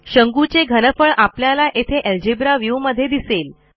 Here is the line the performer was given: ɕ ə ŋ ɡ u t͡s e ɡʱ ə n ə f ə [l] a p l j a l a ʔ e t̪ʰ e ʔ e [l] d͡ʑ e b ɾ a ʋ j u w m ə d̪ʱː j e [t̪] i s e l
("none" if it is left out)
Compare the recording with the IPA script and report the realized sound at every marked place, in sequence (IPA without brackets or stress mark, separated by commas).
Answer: ɭ, l, d̪